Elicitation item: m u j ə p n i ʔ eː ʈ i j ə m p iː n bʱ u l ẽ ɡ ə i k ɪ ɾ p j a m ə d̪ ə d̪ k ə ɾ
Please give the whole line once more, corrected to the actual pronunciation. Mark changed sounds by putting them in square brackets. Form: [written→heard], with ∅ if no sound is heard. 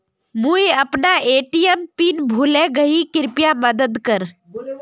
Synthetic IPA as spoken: m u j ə p n [i→a] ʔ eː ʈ i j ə m p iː n bʱ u l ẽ ɡ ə i k ɪ ɾ p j a m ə d̪ ə d̪ k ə ɾ

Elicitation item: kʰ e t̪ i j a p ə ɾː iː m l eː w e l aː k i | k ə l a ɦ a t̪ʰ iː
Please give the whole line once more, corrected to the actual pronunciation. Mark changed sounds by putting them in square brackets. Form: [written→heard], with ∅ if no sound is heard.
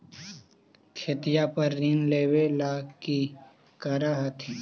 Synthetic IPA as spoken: kʰ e t̪ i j a p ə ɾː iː [m→n] l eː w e l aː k i | k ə [l→ɾ] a ɦ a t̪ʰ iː

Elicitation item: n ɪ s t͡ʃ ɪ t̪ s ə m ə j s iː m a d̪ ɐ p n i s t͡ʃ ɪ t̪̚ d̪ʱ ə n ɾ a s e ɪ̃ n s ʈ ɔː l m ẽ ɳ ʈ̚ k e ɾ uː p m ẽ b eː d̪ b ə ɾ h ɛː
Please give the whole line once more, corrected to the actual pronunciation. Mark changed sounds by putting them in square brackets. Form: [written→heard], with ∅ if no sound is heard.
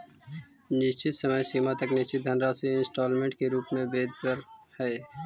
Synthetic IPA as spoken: n ɪ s t͡ʃ ɪ t̪ s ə m ə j s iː m a [d̪→t̪] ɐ [p→k] n [i→ɪ] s t͡ʃ ɪ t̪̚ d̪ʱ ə n ɾ a s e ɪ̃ n s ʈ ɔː l m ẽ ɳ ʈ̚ k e ɾ uː p m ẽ b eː d̪ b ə ɾ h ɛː

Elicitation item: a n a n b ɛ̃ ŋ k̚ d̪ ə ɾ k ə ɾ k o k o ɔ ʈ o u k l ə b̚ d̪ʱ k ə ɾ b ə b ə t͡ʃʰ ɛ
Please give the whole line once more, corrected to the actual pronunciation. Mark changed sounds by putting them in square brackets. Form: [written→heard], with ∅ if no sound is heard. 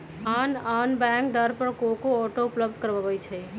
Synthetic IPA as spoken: a n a n b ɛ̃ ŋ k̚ d̪ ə ɾ [k→p] ə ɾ k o k o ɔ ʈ o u [k→p] l ə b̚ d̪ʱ k ə ɾ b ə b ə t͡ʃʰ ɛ

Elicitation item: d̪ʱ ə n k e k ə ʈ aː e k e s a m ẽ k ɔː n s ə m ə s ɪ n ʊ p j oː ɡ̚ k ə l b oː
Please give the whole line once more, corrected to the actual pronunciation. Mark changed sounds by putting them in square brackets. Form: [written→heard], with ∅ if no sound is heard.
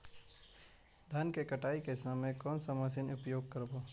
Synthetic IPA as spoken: d̪ʱ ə n k e k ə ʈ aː [e→i] k e s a m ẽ k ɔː n s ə m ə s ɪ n ʊ p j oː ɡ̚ k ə [l→ɾ] b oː

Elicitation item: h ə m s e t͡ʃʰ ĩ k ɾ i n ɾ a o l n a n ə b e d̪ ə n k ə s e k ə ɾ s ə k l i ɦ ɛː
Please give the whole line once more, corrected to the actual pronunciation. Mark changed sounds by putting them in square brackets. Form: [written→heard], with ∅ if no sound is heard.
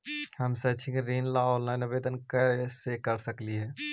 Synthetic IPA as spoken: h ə m s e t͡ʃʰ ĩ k ɾ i n [ɾ→l] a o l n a n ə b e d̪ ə n k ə s e k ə ɾ s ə k l i ɦ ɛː

